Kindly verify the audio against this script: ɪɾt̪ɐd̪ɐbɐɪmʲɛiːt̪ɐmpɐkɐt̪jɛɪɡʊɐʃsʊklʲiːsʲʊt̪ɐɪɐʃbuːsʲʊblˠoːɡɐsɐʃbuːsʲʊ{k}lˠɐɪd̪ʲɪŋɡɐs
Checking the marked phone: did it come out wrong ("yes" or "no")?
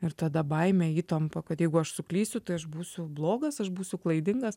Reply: no